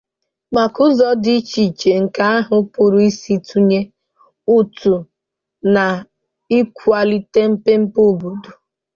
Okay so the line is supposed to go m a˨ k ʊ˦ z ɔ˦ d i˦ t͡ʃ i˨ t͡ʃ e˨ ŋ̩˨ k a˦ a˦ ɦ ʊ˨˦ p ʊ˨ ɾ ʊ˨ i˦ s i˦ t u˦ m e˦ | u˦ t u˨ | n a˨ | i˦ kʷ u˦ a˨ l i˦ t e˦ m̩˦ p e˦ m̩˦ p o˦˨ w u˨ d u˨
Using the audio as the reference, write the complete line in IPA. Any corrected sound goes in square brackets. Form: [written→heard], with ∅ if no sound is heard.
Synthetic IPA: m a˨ k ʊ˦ z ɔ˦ d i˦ t͡ʃ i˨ t͡ʃ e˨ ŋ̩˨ k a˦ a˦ ɦ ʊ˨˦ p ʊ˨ ɾ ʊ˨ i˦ s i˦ t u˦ [m→ɲ] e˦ | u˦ t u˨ | n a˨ | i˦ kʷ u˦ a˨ l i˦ t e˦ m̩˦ p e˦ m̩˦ p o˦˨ [w→b] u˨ d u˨